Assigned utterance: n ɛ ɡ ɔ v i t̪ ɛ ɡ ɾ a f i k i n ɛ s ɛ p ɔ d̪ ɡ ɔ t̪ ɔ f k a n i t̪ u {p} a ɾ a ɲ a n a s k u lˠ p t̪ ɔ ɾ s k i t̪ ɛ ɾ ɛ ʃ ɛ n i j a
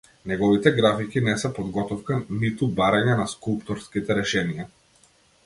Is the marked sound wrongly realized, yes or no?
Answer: yes